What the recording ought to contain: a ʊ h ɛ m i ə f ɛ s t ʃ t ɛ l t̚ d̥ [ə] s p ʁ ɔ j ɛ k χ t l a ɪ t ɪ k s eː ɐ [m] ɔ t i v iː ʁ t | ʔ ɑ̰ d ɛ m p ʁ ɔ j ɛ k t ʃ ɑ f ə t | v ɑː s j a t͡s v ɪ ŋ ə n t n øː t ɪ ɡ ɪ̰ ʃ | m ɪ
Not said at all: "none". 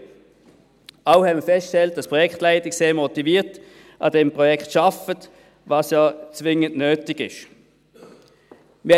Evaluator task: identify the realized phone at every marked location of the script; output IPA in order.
ɑ, m

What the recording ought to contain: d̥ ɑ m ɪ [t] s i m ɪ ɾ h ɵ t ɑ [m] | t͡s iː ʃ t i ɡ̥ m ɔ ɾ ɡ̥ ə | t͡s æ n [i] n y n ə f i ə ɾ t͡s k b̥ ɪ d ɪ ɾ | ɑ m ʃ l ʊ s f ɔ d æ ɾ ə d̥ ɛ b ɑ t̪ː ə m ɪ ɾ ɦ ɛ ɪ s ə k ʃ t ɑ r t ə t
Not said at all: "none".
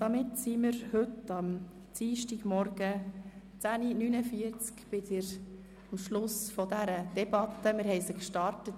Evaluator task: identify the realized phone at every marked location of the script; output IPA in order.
t, m, i

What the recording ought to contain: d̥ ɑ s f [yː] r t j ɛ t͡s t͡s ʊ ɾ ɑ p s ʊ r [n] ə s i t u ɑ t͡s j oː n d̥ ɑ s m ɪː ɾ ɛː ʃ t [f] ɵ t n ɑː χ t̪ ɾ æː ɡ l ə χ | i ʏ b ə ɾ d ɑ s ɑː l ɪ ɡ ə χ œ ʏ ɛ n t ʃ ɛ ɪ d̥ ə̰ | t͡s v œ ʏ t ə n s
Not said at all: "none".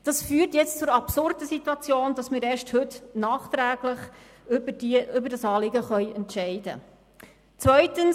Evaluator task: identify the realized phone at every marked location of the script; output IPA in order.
yː, d, h

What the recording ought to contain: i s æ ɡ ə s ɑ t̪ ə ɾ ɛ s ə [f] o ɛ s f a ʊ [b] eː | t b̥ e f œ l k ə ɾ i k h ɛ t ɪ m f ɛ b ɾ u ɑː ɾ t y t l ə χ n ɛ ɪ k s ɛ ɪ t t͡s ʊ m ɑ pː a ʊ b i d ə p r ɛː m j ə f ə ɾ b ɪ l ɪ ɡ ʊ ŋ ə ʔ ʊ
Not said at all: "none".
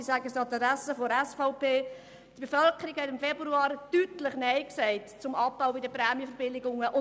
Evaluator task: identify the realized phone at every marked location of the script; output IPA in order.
f, p

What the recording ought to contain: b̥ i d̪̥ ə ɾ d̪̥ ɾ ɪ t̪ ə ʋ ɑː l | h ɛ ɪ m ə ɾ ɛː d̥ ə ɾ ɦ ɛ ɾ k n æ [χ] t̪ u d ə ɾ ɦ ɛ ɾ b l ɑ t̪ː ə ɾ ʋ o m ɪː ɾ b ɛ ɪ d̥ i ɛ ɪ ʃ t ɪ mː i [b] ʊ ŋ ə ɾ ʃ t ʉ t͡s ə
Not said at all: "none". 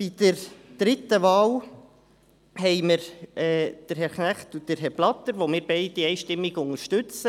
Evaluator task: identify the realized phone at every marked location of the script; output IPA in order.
χ, ɡ

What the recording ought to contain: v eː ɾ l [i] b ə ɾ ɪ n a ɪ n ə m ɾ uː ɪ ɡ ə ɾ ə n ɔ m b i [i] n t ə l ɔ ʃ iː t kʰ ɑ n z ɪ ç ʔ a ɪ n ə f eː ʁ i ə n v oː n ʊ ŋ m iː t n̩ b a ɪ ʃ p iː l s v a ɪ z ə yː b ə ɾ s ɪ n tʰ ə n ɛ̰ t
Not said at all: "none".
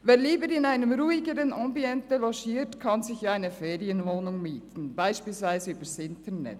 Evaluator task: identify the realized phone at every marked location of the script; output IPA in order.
iː, ɛ

